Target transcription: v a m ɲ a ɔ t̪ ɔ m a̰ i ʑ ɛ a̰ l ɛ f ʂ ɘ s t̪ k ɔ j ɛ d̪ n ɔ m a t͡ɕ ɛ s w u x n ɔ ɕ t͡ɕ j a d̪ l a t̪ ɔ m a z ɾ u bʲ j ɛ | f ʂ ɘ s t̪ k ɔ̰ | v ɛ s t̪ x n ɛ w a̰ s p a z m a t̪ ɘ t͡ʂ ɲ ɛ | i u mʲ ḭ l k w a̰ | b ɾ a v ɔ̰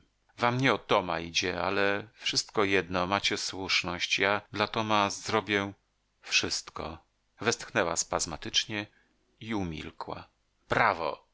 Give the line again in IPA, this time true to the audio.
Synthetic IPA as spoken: v a m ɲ ɛ ɔ t̪ ɔ m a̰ i d͡ʑ ɛ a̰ l ɛ f ʂ ɘ s t̪ k ɔ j ɛ d̪ n ɔ m a t͡ɕ ɛ s w u ʂ n ɔ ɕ t͡ɕ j a d̪ l a t̪ ɔ m a z ɾ ɔ bʲ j ɛ | f ʂ ɘ s t̪ k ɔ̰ | v ɛ s t̪ x n ɛ w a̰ s p a z m a t̪ ɘ t͡ʂ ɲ ɛ | i u mʲ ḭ l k w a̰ | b ɾ a v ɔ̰